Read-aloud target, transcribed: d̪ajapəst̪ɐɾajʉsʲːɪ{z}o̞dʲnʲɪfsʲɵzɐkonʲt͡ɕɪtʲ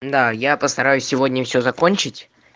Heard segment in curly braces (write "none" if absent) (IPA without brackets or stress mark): v